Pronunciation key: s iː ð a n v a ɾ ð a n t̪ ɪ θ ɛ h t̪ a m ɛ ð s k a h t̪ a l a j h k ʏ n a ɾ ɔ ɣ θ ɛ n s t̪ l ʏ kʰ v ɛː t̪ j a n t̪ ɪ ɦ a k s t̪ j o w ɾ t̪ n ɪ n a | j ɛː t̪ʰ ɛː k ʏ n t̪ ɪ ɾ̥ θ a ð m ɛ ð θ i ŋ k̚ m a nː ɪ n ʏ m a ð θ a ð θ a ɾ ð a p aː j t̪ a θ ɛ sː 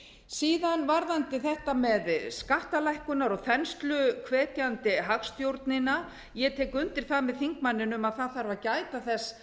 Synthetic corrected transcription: s iː ð a n v a ɾ ð a n t̪ ɪ θ ɛ h t̪ a m ɛ ð s k a h t̪ a l a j h k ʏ n a ɾ ɔ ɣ θ ɛ n s t̪ l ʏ kʰ v ɛː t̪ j a n t̪ ɪ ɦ a k s t̪ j o w ɾ t̪ n ɪ n a | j ɛ t̪ʰ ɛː k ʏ n t̪ ɪ ɾ̥ θ a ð m ɛ ð θ i ŋ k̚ m a nː ɪ n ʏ m a ð θ a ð θ a ɾ v a c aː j t̪ a θ ɛ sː